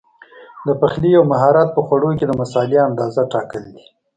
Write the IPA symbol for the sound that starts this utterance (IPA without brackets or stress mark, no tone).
d̪